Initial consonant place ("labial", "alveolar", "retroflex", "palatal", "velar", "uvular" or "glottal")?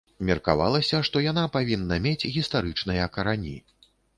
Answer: labial